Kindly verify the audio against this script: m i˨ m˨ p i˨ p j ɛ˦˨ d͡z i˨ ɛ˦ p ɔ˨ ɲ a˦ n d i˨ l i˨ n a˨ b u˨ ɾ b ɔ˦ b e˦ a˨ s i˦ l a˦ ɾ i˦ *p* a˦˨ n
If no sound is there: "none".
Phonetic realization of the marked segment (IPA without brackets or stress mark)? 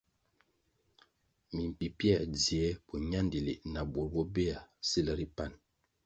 p